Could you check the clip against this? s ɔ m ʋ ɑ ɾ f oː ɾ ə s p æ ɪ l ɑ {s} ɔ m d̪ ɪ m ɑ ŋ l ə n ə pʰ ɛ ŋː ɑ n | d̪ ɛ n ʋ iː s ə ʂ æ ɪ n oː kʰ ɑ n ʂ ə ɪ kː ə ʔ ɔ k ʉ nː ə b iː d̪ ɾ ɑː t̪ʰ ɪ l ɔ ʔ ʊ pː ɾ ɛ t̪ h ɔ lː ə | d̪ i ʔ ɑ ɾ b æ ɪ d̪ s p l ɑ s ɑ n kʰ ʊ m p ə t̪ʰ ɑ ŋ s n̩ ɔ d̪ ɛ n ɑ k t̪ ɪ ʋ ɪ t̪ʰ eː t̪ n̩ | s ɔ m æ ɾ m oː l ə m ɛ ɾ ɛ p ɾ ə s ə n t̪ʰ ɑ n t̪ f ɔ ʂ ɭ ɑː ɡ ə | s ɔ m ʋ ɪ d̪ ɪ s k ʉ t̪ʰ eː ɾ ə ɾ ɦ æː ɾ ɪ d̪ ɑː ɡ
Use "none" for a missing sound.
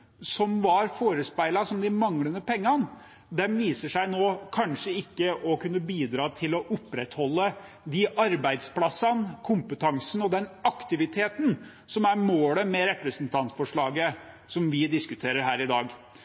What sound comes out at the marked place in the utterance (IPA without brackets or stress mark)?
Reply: s